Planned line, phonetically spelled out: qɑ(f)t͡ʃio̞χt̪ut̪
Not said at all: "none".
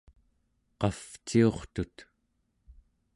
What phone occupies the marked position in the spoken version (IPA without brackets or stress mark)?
f